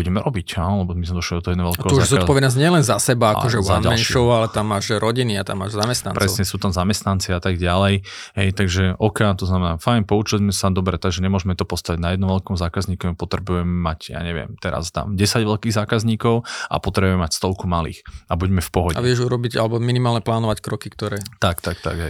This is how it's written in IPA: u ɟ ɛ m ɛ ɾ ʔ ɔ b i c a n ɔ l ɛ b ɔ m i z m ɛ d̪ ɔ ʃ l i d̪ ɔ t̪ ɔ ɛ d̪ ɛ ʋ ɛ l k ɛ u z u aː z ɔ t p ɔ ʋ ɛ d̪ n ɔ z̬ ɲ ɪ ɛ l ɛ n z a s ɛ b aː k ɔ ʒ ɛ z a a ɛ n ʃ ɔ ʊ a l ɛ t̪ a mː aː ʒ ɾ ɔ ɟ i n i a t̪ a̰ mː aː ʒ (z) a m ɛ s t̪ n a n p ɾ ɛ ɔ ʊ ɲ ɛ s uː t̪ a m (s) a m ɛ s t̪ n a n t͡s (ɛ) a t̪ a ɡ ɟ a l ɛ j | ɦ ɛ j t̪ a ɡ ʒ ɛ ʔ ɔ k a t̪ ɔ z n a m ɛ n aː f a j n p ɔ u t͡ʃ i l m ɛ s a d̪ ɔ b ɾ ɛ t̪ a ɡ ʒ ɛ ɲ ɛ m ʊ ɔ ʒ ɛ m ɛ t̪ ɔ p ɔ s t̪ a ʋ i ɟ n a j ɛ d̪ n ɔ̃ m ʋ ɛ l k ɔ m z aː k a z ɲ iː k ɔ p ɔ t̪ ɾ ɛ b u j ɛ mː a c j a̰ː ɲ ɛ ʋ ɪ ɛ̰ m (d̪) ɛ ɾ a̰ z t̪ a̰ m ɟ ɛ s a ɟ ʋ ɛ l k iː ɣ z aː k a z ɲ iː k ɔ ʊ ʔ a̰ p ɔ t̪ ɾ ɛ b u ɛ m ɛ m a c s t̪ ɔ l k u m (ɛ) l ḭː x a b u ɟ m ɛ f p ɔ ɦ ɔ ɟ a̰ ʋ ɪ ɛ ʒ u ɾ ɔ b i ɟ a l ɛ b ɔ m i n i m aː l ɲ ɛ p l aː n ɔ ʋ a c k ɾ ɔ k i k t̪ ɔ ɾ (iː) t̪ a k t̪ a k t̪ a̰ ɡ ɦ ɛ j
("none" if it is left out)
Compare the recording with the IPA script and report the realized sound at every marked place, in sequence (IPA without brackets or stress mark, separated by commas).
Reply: z, z, i, t̪, a, ɛː